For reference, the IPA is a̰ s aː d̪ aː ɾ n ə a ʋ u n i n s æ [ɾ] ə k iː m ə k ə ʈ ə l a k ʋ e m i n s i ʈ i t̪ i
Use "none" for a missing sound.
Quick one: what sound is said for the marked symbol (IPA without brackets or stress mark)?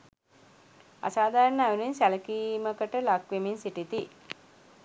l